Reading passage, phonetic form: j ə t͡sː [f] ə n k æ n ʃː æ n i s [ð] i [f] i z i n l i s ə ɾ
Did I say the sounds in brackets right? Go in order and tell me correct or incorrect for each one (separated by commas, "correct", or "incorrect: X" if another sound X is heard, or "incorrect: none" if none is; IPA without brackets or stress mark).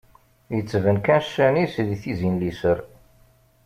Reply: incorrect: v, correct, incorrect: θ